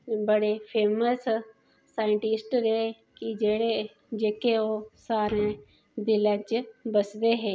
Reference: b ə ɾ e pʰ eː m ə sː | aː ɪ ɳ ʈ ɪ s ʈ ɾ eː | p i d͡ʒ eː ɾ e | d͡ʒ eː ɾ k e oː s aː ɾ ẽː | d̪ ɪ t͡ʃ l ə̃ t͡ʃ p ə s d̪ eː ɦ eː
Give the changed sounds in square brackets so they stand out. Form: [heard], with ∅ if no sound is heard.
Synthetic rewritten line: b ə [ɽ] e pʰ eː m ə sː | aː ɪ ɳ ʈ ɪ s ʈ ɾ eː | [k] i d͡ʒ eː [ɽ] e | d͡ʒ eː [∅] k e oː s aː ɾ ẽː | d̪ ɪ [∅] l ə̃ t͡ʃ [b] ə s d̪ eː ɦ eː